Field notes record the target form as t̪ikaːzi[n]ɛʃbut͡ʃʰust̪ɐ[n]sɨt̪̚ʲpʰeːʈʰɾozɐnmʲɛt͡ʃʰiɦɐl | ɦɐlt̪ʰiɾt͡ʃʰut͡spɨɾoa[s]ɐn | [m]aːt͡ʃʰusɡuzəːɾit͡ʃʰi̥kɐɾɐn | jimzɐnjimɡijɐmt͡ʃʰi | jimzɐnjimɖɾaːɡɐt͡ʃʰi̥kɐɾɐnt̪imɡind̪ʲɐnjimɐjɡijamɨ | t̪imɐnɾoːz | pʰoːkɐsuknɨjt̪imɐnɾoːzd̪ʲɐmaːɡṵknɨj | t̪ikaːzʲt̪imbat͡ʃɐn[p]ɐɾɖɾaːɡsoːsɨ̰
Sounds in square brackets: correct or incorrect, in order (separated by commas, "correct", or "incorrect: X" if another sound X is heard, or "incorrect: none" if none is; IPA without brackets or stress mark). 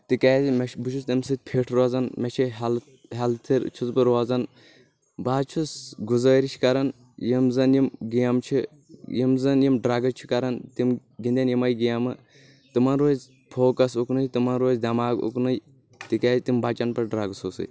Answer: incorrect: m, incorrect: m, incorrect: z, incorrect: b, correct